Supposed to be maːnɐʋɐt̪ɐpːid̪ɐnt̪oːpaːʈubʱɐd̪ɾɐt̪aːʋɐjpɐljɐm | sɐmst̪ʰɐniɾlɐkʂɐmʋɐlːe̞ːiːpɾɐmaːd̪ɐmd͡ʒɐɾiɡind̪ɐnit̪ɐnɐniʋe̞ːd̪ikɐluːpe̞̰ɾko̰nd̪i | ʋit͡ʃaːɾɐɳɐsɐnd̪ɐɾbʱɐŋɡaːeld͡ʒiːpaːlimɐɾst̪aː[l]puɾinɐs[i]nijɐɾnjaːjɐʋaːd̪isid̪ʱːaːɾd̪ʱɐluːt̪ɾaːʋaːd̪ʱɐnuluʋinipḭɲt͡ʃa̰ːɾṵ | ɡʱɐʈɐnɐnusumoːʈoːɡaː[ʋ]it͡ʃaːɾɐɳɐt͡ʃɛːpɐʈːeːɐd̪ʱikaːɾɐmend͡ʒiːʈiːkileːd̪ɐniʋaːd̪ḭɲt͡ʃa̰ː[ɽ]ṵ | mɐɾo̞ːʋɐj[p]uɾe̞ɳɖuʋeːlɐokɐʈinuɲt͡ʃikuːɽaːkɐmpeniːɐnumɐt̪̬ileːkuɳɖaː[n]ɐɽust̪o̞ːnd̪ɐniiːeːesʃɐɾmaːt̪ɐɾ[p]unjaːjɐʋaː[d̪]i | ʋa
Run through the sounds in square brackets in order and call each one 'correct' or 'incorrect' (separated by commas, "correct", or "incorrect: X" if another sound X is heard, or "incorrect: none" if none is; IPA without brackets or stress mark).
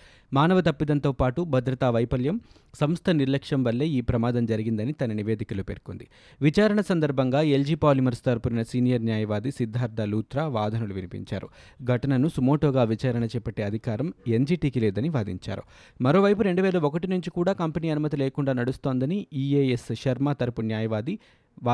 incorrect: ɾ, incorrect: iː, correct, incorrect: ɾ, correct, correct, correct, correct